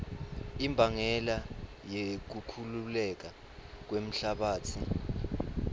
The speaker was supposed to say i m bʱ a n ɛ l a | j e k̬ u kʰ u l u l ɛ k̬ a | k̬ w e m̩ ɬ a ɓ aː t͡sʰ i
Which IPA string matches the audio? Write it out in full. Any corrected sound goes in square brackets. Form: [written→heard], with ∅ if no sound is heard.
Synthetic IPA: i m bʱ a [n→ŋ] ɛ l a | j e k̬ u kʰ u l u l ɛ k̬ a | k̬ w e m̩ ɬ a ɓ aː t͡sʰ i